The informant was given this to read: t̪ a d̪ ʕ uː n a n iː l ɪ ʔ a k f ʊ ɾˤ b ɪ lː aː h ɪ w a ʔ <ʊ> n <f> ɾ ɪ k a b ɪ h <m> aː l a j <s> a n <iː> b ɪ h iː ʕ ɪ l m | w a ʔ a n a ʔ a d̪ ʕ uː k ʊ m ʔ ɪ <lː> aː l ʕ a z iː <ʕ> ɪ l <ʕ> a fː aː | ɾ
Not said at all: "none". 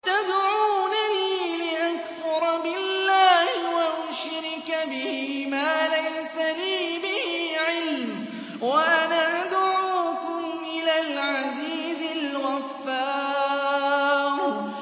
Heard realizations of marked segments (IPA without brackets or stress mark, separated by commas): ʊ, ʃ, m, s, iː, l, z, ɣ